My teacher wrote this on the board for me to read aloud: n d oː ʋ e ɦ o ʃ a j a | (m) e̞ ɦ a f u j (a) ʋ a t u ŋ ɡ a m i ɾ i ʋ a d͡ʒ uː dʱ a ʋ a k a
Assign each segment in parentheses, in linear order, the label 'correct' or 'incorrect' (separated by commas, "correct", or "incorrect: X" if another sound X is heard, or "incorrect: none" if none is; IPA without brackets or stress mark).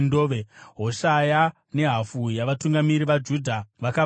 incorrect: n, correct